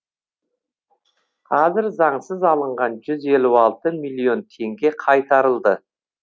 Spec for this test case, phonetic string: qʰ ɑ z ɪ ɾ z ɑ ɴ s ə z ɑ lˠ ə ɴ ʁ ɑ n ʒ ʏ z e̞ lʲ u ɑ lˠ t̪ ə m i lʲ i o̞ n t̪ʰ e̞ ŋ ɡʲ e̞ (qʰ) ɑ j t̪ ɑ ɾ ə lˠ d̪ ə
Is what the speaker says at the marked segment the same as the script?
yes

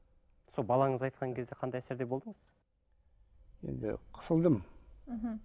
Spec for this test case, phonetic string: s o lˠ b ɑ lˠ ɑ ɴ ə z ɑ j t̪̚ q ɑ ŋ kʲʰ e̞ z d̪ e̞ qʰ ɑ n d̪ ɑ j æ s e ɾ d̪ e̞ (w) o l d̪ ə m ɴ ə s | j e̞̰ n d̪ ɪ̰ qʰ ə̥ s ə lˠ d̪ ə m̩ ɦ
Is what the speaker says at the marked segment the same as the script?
no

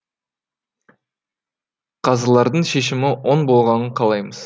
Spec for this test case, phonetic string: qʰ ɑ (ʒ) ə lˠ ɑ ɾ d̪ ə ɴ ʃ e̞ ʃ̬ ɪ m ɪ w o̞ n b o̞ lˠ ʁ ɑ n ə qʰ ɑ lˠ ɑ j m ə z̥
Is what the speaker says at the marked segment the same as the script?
no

